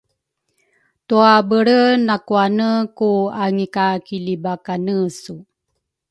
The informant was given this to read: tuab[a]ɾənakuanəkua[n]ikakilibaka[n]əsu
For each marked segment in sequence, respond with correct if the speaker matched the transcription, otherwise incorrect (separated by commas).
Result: incorrect, incorrect, correct